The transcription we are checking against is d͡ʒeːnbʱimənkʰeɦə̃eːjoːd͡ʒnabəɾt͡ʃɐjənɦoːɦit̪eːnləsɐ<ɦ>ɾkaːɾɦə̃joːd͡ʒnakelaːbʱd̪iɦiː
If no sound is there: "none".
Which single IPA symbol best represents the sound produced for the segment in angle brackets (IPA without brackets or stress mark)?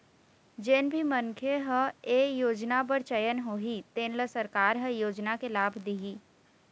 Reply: none